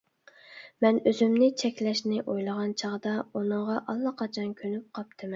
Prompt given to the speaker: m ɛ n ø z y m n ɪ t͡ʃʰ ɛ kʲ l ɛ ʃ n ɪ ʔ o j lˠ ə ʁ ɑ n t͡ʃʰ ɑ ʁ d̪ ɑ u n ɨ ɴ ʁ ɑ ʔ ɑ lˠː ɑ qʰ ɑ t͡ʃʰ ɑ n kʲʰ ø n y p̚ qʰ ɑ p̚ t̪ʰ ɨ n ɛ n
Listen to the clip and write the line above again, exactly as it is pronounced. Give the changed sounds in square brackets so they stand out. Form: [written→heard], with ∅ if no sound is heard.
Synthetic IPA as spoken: m ɛ n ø z y m n ɪ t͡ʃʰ ɛ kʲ l ɛ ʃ n ɪ ʔ o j lˠ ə ʁ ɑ n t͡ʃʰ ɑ ʁ d̪ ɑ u n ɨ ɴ ʁ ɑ ʔ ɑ lˠː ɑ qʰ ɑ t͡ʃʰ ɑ n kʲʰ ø n y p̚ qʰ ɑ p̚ t̪ʰ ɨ [n→m] ɛ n